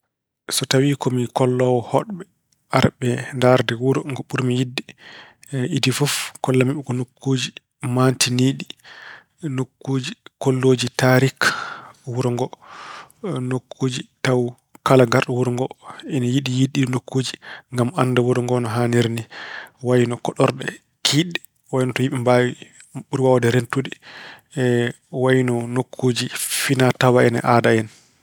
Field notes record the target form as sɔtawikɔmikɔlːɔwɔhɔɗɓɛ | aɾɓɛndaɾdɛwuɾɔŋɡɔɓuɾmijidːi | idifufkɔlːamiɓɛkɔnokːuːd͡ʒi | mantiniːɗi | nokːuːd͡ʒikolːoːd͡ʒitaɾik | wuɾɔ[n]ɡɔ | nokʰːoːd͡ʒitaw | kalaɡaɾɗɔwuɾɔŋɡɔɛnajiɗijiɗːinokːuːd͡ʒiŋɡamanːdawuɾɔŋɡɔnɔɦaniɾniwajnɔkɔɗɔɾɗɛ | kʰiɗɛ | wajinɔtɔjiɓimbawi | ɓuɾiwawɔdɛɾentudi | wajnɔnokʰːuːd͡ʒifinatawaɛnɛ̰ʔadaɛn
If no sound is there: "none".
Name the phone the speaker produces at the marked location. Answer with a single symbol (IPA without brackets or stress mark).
ŋ